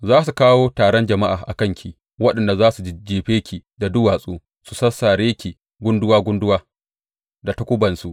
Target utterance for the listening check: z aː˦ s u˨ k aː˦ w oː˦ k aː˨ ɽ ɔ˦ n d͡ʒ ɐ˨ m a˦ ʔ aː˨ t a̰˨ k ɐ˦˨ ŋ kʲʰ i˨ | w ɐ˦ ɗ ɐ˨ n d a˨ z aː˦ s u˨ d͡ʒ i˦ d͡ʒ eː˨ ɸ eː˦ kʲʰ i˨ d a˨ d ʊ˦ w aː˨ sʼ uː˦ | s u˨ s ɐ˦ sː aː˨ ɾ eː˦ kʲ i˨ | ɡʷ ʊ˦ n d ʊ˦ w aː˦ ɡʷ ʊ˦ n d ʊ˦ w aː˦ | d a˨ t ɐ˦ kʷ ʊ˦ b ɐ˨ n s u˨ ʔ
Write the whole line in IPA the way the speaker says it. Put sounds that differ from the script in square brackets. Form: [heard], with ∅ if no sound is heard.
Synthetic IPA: z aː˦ s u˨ k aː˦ w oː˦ [t] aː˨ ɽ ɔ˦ n d͡ʒ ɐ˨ m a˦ ʔ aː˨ [ʔ] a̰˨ k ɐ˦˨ ŋ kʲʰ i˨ | w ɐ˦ ɗ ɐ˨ n d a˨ z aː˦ s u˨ d͡ʒ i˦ d͡ʒ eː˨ ɸ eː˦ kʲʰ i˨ d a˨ d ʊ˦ w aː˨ sʼ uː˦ | s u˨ s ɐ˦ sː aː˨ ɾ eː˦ kʲ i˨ | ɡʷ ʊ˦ n d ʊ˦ w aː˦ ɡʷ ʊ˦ n d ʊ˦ w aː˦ | d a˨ t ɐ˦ kʷ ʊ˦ b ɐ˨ n s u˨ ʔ